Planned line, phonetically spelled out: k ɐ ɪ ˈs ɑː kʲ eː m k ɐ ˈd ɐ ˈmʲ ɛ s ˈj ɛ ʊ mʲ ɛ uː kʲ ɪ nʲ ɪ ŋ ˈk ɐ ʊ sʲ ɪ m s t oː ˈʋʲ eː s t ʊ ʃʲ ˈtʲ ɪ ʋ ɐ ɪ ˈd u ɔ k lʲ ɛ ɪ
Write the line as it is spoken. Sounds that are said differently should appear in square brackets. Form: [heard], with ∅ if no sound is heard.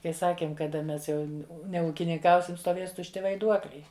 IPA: k ɐ ɪ ˈs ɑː kʲ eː m k ɐ ˈd ɐ ˈmʲ ɛ s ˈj ɛ ʊ [nʲ] ɛ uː kʲ ɪ nʲ ɪ ŋ ˈk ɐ ʊ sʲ ɪ m s t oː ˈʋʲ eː s t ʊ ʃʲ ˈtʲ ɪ ʋ ɐ ɪ ˈd u ɔ k lʲ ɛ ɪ